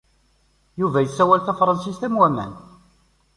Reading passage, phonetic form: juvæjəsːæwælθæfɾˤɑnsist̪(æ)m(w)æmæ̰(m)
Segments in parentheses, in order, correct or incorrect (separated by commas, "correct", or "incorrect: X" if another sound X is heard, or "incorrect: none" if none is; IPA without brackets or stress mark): correct, correct, incorrect: n